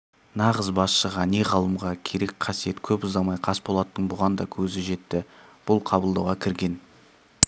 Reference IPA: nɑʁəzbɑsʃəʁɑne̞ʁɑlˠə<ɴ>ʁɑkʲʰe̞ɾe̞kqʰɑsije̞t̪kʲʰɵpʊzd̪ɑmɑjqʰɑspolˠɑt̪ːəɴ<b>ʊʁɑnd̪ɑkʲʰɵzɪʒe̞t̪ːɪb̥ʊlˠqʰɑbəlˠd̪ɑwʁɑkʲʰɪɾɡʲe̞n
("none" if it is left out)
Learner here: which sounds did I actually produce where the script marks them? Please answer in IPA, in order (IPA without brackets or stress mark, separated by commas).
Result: m, b